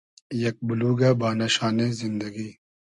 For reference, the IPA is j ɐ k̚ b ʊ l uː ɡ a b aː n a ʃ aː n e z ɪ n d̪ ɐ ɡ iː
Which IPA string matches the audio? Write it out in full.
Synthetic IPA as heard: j ɐ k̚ b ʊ l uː ɡ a b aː n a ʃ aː n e z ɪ n d̪ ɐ ɡ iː